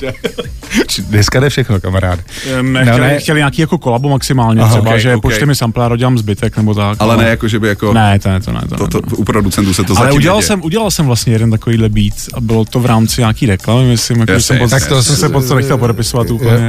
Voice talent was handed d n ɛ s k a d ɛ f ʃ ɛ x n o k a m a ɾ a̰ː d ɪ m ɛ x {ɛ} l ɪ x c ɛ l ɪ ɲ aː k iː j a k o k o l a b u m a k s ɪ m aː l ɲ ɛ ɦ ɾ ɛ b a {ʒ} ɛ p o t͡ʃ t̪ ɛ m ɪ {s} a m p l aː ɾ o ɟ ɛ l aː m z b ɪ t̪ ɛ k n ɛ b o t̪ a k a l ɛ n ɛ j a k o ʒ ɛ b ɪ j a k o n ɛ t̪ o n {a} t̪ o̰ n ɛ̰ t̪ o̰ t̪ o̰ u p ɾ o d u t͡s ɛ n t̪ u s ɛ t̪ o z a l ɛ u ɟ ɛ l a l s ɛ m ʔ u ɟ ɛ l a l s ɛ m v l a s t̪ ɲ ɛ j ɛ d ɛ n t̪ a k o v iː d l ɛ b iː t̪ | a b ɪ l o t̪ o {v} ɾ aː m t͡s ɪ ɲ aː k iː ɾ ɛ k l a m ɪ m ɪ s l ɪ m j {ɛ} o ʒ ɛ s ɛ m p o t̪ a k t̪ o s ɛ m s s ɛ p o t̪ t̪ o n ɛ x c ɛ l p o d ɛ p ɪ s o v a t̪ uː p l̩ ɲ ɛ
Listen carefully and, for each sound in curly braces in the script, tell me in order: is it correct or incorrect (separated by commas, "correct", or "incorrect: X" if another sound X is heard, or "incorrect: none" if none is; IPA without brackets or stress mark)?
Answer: correct, correct, correct, incorrect: ɛ, correct, incorrect: a